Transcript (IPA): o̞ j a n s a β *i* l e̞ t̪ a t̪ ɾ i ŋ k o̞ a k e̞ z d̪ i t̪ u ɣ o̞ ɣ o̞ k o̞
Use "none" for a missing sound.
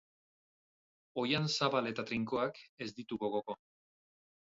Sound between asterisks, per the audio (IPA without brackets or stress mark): a